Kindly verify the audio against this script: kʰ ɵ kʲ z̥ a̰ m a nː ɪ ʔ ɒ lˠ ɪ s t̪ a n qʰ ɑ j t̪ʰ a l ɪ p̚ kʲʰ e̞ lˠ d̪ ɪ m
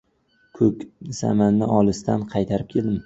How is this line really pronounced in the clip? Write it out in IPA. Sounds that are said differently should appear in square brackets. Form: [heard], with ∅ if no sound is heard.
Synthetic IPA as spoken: kʰ ɵ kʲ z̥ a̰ m a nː ɪ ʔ ɒ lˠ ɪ s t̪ a n qʰ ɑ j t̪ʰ a [ɾ] ɪ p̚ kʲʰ e̞ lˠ d̪ ɪ m